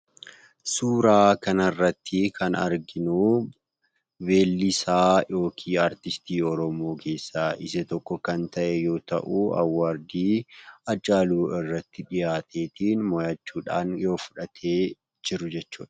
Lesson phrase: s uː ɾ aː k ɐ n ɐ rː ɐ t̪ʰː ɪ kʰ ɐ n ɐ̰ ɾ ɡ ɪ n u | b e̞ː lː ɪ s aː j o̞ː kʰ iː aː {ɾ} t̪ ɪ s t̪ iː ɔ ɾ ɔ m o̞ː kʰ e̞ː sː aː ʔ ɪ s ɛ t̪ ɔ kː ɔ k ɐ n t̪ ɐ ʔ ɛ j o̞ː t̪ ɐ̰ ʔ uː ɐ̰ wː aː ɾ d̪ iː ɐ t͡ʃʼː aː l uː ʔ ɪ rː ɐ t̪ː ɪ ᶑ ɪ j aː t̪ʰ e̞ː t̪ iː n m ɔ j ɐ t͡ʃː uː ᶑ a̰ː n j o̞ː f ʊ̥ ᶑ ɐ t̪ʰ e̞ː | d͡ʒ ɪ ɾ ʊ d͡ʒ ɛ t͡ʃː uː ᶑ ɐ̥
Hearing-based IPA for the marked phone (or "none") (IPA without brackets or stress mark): ɾ